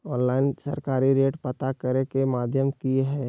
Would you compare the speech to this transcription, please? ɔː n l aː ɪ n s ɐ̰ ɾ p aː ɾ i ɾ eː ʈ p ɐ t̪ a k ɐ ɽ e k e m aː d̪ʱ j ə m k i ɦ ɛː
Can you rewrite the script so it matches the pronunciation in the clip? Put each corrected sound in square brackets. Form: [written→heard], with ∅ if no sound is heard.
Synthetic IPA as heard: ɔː n l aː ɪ n s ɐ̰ ɾ [p→k] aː ɾ i ɾ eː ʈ p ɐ t̪ a k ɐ [ɽ→ɾ] e k e m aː d̪ʱ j ə m k i ɦ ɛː